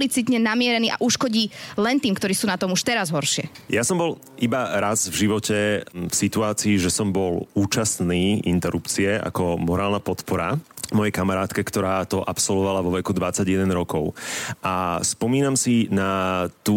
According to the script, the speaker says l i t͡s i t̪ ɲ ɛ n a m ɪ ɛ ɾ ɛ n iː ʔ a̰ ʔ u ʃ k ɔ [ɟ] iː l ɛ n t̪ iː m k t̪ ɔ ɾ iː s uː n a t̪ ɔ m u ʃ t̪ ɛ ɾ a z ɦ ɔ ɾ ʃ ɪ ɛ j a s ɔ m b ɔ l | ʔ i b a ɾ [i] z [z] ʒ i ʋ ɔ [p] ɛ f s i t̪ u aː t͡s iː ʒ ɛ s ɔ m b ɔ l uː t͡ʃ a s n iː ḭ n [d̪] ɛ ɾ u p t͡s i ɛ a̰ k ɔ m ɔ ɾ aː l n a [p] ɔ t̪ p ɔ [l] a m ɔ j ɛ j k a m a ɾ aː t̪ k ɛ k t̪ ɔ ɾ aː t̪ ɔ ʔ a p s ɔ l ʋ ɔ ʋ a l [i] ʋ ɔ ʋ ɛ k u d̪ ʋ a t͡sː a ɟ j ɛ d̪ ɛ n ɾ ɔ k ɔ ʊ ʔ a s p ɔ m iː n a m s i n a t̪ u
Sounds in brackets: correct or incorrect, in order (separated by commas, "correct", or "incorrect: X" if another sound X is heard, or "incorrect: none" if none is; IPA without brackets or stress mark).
correct, incorrect: a, incorrect: v, incorrect: c, incorrect: t̪, correct, incorrect: ɾ, incorrect: a